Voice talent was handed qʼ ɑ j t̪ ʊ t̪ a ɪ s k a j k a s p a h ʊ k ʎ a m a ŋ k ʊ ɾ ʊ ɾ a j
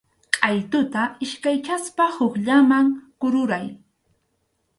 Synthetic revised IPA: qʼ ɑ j t̪ ʊ t̪ a ɪ ʃ k a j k a s p a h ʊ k ʎ a m a ŋ k ʊ ɾ ʊ ɾ a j